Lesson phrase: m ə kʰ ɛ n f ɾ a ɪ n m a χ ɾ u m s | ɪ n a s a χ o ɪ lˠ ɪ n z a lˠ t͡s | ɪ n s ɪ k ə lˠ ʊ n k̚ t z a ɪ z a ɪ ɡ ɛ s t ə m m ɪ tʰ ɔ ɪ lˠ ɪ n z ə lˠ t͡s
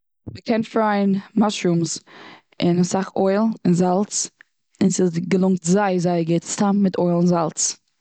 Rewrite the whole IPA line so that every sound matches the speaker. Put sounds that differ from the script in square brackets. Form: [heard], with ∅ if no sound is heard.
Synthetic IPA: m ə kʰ ɛ n f ɾ a ɪ n m a [ʃ] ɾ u m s | ɪ n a s a χ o ɪ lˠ ɪ n z a lˠ t͡s | ɪ n s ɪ [ɡ] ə lˠ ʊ [ŋ] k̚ t z a ɪ z a ɪ ɡ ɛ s t [a] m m ɪ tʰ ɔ ɪ lˠ ɪ n z [a] lˠ t͡s